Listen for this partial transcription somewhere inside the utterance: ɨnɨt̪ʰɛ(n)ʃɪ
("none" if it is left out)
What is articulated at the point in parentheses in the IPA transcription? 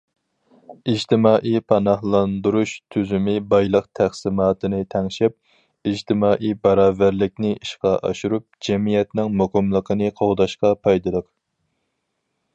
ŋ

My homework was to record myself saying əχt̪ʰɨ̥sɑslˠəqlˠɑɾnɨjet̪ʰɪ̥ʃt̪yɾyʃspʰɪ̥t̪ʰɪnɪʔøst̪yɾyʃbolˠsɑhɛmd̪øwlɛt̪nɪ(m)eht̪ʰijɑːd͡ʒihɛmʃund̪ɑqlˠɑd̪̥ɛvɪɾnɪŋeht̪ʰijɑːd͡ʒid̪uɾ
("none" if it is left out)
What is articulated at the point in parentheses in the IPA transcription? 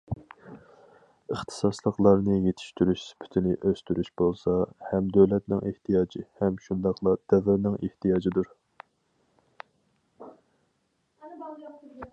ŋ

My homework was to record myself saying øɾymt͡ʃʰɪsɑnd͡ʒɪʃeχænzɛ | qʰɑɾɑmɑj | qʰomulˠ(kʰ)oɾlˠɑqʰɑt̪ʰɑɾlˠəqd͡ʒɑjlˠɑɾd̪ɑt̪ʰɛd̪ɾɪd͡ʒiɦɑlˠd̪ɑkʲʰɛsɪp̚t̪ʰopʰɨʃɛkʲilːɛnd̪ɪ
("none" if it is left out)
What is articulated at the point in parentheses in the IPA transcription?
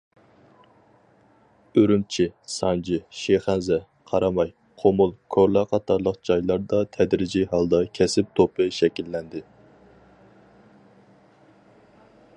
kʰ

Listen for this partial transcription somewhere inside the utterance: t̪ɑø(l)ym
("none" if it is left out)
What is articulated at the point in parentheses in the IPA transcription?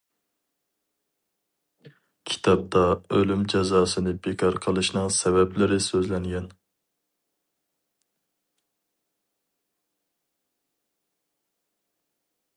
l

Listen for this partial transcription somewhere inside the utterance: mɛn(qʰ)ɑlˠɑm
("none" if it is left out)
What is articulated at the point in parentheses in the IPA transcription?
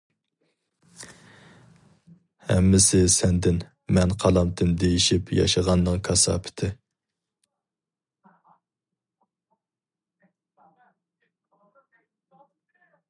qʰ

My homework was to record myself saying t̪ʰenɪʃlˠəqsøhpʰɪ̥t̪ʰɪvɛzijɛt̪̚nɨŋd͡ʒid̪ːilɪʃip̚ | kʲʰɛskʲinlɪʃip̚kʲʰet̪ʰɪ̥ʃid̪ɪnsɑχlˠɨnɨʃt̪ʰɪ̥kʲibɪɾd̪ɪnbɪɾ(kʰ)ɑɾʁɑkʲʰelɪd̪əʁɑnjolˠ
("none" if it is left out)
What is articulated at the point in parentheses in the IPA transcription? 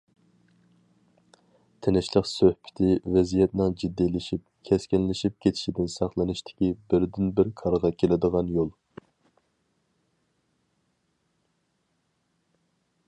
kʰ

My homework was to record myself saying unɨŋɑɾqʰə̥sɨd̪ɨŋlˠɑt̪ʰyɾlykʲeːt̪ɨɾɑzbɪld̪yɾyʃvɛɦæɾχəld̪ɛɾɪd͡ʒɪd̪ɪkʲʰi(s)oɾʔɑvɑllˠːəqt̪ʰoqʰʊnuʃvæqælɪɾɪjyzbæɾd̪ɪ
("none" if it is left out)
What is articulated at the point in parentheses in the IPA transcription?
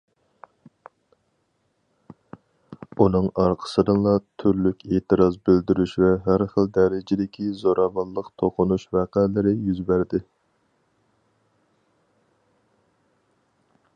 z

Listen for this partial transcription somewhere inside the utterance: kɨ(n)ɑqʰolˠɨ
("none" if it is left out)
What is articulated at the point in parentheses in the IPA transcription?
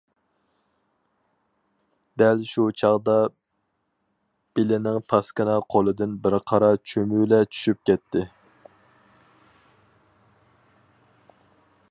n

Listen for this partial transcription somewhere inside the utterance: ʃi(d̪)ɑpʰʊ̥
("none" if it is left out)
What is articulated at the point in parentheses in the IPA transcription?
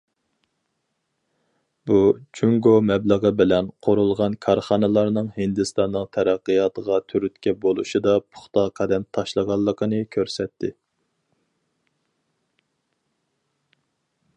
d̪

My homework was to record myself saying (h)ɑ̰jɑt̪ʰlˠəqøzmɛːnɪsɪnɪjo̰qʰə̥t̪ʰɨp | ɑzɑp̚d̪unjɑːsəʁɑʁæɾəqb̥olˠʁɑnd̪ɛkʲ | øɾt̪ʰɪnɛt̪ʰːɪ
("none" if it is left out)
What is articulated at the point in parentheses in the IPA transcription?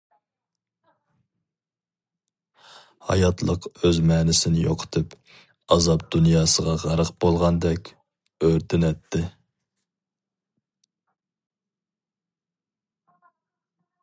h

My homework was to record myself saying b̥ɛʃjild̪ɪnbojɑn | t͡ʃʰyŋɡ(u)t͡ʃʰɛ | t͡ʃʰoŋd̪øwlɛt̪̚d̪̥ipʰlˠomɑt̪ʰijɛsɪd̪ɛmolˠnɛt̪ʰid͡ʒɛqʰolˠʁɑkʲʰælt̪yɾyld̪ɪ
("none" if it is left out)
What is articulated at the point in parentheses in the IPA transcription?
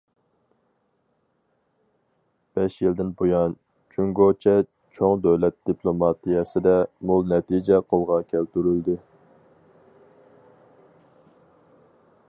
o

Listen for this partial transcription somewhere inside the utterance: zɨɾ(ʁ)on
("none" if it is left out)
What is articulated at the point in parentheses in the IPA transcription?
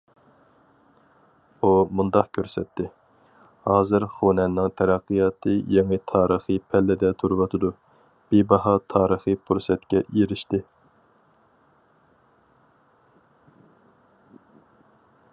χ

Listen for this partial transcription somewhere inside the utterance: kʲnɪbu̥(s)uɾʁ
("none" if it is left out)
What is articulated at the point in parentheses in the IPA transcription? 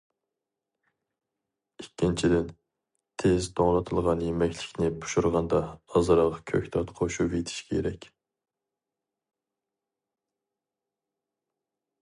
ʃ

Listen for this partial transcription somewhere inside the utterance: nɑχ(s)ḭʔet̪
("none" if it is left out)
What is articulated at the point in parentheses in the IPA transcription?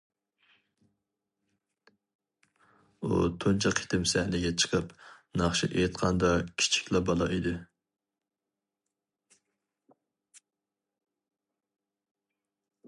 ʃ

